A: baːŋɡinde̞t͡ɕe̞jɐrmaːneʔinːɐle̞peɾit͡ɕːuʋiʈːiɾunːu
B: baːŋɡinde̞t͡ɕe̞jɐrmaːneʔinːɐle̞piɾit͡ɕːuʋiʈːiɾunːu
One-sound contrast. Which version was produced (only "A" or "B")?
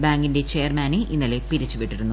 B